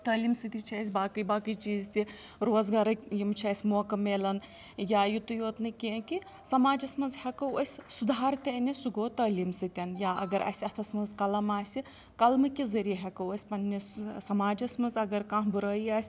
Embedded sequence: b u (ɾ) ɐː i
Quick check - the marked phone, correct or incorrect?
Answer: correct